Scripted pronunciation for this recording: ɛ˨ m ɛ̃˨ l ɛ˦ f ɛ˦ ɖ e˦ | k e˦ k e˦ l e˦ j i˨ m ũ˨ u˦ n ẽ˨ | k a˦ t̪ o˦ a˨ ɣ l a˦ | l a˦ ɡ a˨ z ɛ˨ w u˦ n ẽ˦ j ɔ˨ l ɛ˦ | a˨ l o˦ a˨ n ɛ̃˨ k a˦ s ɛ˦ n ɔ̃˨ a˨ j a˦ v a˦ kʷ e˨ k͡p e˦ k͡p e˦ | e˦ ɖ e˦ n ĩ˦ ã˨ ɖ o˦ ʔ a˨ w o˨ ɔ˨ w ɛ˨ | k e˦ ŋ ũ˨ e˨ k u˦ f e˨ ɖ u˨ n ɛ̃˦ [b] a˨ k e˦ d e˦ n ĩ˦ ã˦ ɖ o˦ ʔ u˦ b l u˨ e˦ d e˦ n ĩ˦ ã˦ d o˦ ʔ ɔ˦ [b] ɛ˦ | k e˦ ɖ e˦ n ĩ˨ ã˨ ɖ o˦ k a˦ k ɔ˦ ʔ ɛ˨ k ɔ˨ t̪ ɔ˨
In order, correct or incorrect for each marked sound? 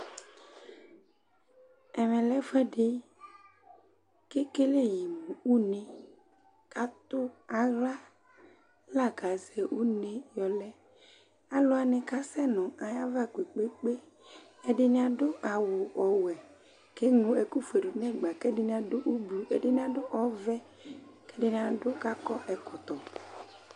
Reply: incorrect: ɡ͡b, incorrect: v

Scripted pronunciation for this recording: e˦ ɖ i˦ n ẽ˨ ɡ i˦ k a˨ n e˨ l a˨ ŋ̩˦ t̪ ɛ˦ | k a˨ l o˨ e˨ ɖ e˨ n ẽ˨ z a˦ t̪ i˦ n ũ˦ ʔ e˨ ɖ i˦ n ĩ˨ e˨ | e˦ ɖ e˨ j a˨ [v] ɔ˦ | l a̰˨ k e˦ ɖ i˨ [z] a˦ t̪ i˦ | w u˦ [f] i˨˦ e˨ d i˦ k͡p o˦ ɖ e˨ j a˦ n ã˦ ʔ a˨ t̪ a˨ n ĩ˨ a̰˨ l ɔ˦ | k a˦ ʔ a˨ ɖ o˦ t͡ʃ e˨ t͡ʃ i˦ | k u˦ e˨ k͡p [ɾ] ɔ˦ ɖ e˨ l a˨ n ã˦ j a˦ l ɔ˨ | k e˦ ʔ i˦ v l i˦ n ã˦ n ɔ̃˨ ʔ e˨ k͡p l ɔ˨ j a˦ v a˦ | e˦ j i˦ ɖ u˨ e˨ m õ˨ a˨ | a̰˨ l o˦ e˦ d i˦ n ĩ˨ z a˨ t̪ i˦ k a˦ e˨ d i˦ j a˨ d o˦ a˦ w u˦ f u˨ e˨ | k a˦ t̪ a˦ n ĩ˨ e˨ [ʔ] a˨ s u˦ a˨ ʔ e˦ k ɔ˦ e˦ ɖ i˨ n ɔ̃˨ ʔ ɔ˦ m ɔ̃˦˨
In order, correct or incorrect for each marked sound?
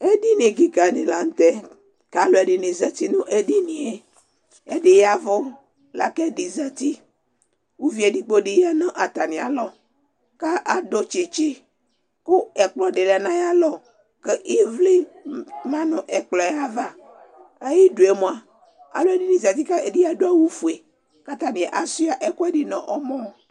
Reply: correct, correct, incorrect: v, incorrect: l, correct

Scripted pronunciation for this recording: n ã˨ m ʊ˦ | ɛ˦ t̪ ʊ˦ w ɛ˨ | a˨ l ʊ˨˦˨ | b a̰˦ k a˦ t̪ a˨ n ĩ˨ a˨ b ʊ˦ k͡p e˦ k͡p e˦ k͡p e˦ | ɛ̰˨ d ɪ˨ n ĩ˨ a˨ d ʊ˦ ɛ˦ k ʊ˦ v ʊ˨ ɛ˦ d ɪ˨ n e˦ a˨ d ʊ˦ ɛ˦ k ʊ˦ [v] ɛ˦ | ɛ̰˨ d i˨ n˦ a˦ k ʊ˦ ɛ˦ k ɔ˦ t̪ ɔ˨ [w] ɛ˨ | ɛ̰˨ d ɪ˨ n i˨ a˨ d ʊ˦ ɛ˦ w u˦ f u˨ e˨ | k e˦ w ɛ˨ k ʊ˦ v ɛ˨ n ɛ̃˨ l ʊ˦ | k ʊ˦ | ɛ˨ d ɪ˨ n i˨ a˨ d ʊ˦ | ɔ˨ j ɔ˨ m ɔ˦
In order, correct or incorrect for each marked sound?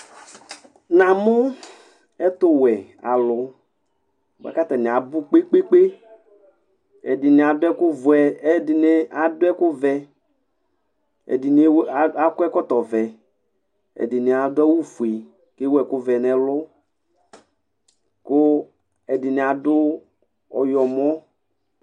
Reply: correct, incorrect: v

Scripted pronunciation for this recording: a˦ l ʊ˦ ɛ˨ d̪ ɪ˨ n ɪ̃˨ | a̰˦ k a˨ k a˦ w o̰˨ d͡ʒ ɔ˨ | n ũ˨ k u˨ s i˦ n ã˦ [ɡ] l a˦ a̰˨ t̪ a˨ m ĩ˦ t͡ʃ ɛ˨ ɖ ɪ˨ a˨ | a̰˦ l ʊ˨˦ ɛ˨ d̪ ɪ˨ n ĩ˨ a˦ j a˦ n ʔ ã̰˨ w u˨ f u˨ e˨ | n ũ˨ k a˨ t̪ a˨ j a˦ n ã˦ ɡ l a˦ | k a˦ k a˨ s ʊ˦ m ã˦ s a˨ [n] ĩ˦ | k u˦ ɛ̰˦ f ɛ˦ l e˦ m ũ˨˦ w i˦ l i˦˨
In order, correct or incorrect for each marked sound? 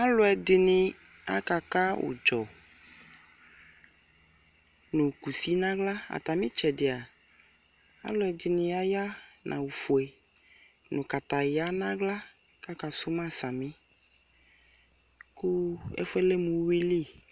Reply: correct, incorrect: m

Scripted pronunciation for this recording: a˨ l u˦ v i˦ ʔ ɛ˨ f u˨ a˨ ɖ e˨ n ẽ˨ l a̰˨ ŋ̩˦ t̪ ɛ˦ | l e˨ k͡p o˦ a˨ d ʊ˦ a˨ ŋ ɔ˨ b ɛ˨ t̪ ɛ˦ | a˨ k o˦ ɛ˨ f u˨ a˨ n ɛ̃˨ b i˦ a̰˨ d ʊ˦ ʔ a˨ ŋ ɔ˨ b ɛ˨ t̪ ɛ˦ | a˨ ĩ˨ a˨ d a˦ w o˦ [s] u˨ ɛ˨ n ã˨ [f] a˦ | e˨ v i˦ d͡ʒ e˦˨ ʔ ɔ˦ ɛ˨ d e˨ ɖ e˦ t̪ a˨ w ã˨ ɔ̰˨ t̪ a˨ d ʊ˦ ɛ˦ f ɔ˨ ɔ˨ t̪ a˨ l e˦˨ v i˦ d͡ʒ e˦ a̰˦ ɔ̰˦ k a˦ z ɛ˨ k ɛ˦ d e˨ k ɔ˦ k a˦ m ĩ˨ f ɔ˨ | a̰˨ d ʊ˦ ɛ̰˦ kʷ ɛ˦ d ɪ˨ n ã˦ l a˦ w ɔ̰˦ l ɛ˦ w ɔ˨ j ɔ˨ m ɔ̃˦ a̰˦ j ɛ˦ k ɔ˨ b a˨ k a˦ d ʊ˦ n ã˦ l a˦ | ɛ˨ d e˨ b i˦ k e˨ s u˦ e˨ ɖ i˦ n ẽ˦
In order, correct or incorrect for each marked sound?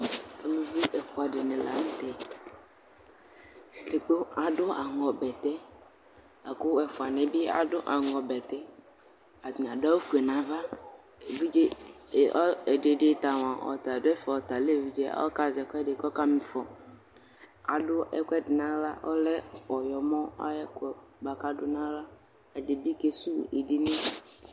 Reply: incorrect: f, incorrect: v

